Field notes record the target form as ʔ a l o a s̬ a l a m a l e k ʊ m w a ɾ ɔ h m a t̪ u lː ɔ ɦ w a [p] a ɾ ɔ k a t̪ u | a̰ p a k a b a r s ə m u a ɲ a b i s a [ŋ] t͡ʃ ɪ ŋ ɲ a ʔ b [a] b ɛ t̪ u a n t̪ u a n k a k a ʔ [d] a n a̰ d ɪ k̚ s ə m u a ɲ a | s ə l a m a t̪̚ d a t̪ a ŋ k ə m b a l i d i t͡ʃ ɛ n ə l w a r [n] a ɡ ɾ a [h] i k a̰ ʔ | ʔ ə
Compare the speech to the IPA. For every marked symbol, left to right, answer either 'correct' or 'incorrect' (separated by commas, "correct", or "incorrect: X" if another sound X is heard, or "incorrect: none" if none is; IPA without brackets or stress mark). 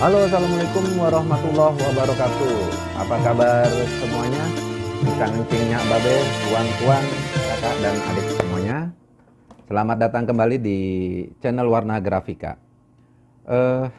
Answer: incorrect: b, correct, correct, correct, correct, incorrect: f